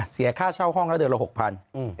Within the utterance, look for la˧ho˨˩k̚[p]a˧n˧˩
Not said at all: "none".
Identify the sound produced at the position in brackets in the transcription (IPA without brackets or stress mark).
pʰ